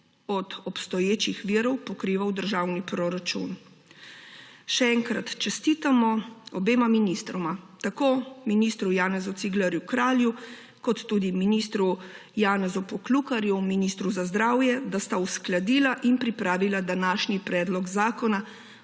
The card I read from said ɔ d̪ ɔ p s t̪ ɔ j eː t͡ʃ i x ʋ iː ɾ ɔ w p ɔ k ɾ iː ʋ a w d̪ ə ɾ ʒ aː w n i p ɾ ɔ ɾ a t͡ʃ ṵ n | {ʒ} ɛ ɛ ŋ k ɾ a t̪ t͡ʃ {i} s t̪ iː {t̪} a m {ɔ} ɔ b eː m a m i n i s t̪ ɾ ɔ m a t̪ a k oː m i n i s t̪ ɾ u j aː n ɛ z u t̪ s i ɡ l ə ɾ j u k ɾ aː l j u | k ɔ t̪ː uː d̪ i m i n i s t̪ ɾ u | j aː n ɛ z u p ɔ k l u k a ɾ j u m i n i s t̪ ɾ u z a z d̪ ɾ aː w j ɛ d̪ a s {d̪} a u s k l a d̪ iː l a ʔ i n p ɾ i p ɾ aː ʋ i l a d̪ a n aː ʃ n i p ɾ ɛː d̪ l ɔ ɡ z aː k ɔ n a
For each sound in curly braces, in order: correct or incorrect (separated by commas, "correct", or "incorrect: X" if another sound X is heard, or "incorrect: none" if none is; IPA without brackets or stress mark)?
incorrect: ʃ, incorrect: ɛ, correct, correct, incorrect: t̪